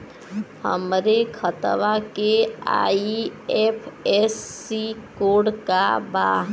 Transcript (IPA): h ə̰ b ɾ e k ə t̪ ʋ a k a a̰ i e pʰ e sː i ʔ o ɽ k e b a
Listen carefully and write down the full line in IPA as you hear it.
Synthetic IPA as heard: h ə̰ m ɾ e kʰ ə t̪ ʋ a k e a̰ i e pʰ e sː i k o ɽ k a b a